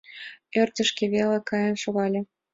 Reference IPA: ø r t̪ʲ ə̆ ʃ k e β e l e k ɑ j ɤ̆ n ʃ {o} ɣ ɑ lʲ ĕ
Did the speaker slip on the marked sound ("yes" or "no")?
no